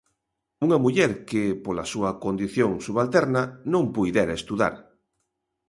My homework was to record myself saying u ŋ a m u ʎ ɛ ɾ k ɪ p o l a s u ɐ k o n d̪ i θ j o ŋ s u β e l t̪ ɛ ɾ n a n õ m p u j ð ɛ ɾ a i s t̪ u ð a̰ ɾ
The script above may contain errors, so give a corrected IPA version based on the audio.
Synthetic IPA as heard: u ŋ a m u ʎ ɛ ɾ k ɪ p o l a s u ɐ k o n d̪ i θ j o ŋ s u β a l t̪ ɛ ɾ n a n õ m p u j ð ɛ ɾ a e s t̪ u ð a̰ ɾ